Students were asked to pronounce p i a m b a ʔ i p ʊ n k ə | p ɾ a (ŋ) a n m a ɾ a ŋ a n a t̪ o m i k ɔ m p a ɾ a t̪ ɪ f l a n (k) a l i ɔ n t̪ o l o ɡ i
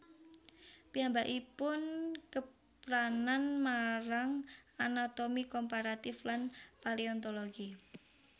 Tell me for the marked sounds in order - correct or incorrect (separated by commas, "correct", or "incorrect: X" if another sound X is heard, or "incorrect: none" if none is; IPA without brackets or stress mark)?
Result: incorrect: n, incorrect: p